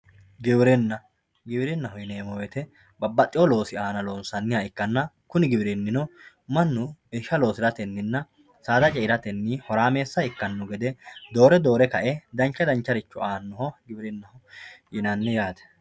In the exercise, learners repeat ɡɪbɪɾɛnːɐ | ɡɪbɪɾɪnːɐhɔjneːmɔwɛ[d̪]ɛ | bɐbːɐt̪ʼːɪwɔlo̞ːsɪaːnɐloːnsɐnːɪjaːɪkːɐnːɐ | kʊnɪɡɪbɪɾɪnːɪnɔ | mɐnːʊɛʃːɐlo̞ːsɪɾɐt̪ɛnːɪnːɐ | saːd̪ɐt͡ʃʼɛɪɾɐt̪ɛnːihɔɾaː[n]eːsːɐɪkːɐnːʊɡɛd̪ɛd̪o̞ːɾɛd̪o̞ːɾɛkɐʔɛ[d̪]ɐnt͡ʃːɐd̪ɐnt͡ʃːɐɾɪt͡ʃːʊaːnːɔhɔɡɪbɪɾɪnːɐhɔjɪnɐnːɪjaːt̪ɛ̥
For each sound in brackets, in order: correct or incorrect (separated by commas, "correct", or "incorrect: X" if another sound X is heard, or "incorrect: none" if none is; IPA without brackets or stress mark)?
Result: incorrect: t̪, incorrect: m, correct